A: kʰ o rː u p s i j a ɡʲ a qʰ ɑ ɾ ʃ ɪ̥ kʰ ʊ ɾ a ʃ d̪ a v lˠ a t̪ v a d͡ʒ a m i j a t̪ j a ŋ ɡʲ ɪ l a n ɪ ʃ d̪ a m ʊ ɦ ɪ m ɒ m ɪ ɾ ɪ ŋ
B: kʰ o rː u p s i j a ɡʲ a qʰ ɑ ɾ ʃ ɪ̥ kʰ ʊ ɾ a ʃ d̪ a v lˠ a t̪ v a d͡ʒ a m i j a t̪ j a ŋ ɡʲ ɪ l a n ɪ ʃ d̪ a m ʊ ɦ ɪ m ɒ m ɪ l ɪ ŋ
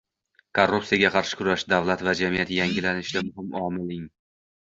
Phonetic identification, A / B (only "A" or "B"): B